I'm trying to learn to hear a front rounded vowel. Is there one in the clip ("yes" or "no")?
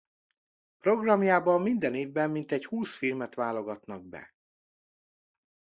no